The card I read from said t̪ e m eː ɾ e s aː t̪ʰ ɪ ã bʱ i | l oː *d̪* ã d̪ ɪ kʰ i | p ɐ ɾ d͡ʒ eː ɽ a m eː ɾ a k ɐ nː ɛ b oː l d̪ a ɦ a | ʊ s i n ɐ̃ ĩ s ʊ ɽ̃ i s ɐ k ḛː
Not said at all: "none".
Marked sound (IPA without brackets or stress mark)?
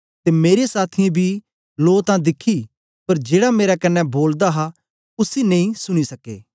t̪